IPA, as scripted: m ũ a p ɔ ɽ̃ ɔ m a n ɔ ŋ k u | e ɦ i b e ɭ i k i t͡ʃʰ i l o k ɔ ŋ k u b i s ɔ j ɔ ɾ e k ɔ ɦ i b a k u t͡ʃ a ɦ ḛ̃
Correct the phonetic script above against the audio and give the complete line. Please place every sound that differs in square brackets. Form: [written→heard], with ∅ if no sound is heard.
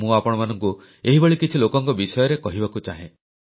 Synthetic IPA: m ũ a p ɔ ɽ̃ ɔ m a n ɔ ŋ k u | e ɦ i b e ɭ i k i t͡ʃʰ i l o k ɔ ŋ k [u→ɔ] b i s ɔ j ɔ ɾ e k ɔ ɦ i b a k u t͡ʃ a ɦ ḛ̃